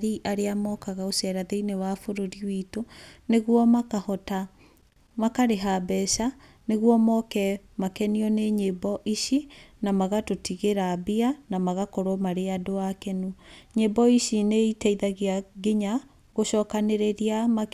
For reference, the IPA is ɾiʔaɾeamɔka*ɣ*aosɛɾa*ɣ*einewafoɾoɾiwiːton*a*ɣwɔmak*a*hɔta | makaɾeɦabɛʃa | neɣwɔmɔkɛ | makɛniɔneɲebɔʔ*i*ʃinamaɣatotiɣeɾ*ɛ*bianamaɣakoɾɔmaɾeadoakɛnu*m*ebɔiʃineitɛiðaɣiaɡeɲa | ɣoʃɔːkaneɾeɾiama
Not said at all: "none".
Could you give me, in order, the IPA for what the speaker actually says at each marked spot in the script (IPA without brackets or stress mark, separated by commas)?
ɣ, ð, e, a, i, a, ɲ